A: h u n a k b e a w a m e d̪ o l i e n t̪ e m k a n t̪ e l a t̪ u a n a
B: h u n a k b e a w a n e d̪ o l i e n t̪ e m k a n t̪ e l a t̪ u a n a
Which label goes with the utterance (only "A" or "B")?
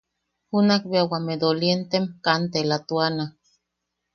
A